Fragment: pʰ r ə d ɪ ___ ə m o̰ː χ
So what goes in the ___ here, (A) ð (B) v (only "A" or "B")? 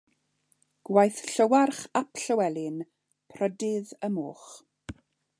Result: A